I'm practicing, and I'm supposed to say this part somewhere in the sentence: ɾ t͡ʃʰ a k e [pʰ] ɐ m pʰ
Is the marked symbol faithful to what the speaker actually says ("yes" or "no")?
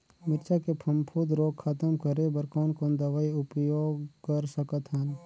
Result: yes